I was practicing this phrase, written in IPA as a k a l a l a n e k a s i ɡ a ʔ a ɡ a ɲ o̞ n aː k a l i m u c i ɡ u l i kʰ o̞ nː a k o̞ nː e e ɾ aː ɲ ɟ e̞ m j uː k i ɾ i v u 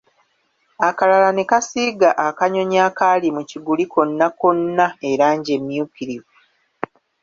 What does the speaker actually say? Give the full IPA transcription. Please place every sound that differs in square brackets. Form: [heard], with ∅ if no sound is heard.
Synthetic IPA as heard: a k a l a l a n e k a s i ɡ a ʔ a [k] a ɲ o̞ [ɲ] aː k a l i m u c i ɡ u l i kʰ o̞ nː a k o̞ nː [a] e ɾ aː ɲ ɟ e̞ m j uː k i ɾ i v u